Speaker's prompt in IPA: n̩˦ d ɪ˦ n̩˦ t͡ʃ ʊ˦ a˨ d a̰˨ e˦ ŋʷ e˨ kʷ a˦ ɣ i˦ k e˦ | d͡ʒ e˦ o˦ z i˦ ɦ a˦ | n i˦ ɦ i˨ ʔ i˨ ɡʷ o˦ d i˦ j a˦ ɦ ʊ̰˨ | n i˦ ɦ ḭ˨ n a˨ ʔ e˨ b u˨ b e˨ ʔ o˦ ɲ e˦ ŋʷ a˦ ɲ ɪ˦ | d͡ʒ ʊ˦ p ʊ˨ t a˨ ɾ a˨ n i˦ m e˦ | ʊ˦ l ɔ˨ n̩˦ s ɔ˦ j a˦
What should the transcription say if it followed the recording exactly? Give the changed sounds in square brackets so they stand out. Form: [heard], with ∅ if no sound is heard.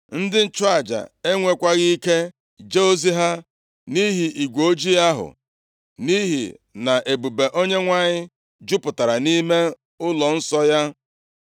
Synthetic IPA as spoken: n̩˦ d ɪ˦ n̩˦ t͡ʃ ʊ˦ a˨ [d͡ʒ] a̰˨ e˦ ŋʷ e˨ kʷ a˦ ɣ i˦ k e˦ | d͡ʒ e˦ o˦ z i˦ ɦ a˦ | n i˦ ɦ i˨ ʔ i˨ ɡʷ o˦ [d͡ʒ] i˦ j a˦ ɦ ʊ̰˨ | n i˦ ɦ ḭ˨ n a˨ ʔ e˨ b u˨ b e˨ ʔ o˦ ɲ e˦ ŋʷ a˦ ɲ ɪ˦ | d͡ʒ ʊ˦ p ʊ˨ t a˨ ɾ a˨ n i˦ m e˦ | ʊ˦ l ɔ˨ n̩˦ s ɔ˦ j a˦